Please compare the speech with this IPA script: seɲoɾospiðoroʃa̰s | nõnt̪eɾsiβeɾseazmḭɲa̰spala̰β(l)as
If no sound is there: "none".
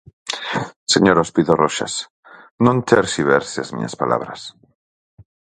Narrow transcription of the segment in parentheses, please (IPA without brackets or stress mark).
ɾ